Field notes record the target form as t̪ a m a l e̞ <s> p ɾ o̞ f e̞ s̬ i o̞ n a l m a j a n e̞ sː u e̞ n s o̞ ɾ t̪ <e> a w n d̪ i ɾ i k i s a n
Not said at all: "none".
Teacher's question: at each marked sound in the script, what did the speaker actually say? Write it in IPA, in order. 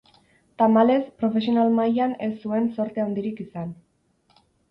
s, e

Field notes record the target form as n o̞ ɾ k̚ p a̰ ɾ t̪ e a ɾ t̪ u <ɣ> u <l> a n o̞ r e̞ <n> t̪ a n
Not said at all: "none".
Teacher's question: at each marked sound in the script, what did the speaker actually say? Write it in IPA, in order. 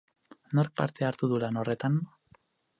ð, l, none

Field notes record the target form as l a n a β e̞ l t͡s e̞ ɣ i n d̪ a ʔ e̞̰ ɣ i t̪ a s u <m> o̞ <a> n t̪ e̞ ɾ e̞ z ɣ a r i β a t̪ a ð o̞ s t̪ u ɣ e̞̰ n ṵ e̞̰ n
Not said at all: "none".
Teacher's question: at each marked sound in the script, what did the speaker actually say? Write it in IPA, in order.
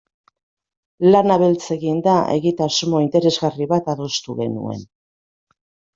m, i

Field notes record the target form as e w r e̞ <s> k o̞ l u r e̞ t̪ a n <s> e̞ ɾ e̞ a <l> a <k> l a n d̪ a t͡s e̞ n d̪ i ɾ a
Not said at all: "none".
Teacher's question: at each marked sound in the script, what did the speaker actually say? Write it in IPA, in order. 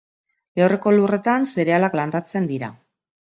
none, s, l, k

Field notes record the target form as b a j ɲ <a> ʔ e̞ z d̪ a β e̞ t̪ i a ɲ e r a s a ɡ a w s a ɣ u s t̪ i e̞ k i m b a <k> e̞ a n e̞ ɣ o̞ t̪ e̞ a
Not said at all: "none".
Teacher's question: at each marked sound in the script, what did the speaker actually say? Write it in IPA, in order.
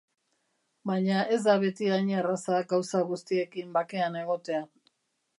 a, k

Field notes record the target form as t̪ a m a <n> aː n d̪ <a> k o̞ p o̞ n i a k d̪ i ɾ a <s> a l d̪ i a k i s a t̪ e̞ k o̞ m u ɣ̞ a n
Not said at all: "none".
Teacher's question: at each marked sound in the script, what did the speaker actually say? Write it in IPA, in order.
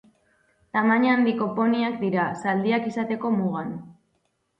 ɲ, i, s

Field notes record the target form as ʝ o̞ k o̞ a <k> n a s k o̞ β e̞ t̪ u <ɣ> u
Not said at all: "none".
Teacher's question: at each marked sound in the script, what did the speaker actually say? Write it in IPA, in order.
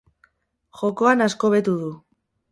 none, ð

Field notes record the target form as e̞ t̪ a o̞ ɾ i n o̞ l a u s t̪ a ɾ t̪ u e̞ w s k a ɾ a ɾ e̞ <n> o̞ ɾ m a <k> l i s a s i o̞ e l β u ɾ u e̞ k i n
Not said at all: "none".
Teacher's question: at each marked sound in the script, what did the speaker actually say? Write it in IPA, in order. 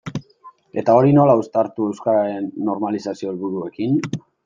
nː, none

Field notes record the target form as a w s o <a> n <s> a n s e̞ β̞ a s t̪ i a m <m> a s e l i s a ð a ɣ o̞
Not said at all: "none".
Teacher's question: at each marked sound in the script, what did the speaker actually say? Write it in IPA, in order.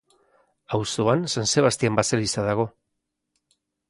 a, s, b

